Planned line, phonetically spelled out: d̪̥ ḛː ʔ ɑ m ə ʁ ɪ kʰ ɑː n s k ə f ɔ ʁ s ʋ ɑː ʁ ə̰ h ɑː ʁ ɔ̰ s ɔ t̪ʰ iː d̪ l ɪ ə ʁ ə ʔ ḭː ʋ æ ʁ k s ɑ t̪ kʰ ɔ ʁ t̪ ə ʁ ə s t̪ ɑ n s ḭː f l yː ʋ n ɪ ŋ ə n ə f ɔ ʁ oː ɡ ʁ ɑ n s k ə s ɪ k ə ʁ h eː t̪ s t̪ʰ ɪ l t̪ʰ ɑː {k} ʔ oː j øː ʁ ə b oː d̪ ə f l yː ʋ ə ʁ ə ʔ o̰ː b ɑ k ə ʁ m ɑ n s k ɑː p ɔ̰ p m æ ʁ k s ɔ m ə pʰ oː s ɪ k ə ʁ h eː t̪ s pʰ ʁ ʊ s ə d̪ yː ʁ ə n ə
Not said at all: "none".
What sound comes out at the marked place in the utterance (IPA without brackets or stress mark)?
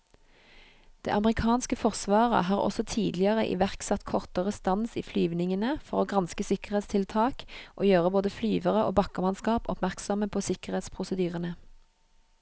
k